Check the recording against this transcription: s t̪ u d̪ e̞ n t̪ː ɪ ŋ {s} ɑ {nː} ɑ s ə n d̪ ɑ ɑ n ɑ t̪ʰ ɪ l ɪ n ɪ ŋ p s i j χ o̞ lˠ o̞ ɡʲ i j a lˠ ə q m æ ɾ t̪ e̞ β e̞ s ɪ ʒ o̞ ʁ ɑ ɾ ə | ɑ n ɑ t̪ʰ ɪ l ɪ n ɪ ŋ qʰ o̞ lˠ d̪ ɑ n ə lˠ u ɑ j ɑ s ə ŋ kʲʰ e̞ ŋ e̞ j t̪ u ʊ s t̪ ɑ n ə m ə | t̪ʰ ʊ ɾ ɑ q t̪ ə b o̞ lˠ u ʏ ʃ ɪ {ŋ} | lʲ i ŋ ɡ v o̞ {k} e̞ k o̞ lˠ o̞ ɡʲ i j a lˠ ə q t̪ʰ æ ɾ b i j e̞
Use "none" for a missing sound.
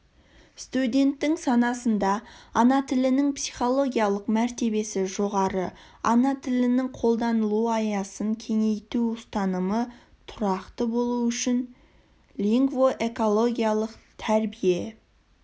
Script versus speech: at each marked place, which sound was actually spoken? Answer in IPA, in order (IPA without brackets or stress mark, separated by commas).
s, n, n, ʔ